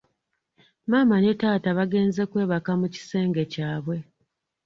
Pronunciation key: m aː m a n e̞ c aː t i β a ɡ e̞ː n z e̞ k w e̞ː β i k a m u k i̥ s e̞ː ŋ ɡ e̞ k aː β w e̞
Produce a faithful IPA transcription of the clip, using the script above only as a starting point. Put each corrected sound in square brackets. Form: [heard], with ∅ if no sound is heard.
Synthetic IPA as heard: m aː m a n e̞ [t] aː t [a] β a ɡ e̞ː n z e̞ k w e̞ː β [a] k a m u [c] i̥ s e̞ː ŋ ɡ e̞ [c] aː β w e̞